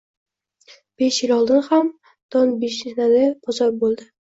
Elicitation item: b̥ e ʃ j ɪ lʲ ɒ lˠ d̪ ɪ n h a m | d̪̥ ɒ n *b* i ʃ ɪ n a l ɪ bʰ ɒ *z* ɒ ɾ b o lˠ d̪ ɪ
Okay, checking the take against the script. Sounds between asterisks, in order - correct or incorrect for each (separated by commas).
correct, correct